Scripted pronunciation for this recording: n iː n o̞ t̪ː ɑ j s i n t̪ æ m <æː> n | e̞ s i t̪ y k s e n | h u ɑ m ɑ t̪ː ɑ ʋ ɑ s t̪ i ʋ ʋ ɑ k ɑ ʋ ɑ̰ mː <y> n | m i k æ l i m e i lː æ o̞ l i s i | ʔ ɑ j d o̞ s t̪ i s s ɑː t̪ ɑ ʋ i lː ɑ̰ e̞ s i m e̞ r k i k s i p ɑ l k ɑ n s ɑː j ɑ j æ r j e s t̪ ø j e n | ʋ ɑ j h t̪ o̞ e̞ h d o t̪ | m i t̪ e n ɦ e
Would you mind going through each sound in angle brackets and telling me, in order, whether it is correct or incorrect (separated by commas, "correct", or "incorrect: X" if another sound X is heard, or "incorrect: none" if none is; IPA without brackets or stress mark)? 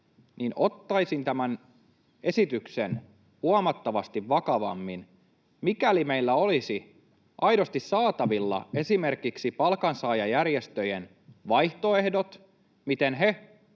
incorrect: æ, incorrect: i